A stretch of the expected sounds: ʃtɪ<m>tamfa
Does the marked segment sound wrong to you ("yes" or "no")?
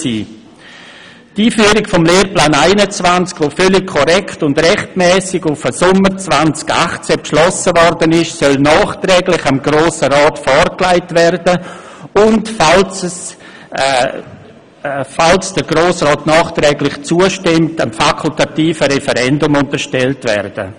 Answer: no